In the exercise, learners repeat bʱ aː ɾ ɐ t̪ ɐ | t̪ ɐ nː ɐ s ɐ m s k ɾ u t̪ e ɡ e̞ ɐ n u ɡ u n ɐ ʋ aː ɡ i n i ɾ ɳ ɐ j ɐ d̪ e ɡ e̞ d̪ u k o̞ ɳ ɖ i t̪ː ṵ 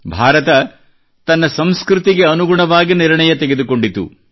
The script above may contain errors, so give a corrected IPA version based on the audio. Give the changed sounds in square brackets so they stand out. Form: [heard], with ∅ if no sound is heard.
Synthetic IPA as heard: bʱ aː ɾ ɐ t̪ ɐ | t̪ ɐ nː ɐ s ɐ m s k ɾ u t̪ [i] ɡ e̞ ɐ n u ɡ u [ɳ] ɐ ʋ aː ɡ i n i ɾ ɳ ɐ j ɐ [t̪] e ɡ e̞ d̪ u k o̞ ɳ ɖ i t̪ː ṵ